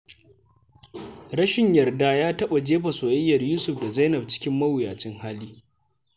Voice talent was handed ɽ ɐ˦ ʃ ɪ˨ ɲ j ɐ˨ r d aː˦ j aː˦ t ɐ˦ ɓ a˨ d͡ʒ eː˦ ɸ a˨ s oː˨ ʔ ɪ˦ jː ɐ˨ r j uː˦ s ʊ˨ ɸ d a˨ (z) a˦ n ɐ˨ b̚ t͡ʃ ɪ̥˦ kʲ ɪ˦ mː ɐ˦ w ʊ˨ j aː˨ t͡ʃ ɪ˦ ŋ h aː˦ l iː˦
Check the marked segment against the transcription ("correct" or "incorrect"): correct